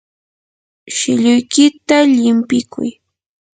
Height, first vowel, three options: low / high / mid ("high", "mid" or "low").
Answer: high